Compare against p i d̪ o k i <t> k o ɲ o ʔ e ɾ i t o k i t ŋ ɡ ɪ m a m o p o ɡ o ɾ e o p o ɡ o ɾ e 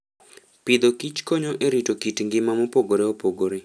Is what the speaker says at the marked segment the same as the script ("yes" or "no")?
no